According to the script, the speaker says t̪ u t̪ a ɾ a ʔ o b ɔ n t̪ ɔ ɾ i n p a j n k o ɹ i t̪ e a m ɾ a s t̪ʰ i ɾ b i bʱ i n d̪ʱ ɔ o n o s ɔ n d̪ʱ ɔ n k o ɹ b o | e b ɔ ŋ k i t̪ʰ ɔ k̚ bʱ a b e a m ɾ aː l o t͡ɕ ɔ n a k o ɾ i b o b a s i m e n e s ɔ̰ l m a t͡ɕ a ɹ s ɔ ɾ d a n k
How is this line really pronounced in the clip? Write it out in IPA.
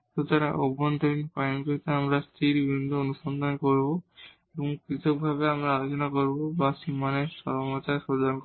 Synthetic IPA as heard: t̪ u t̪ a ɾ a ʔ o b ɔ n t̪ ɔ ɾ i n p a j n k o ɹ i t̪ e a m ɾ a s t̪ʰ i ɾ b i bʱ i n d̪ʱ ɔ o n u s ɔ n d̪ʱ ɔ n k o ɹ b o | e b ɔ ŋ k i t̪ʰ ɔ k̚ bʱ a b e a m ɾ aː l o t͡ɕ ɔ n a k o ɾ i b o b a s i m a n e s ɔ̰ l m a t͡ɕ a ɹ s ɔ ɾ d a n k